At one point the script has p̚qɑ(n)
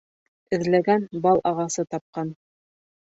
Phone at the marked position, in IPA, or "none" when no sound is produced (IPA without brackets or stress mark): n